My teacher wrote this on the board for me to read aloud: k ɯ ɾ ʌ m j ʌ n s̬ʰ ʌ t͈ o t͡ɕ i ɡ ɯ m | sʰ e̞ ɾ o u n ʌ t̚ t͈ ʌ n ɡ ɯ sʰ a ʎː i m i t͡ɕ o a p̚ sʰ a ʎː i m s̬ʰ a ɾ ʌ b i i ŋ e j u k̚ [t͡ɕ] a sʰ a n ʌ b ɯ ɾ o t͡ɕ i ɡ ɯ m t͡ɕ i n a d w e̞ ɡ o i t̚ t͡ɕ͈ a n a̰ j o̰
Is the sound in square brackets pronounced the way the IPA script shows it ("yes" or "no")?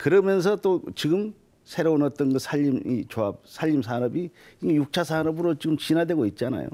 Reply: no